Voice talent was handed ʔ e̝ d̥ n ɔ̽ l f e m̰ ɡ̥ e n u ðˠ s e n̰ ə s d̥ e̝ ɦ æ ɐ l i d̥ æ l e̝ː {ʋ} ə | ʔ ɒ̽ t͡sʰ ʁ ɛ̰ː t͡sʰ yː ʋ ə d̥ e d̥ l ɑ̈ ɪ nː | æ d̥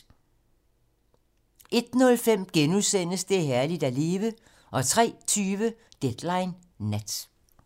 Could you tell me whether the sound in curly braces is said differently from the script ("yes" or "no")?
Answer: no